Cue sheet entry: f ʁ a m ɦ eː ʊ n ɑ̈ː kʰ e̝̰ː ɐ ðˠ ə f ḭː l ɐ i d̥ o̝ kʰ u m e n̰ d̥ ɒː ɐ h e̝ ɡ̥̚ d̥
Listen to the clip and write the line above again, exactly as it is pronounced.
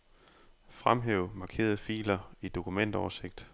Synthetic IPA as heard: f ʁ a m ɦ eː ʊ m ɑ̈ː kʰ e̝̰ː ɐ ðˠ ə f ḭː l ɐ i d̥ o̝ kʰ u m e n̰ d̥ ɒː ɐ s e̝ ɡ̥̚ d̥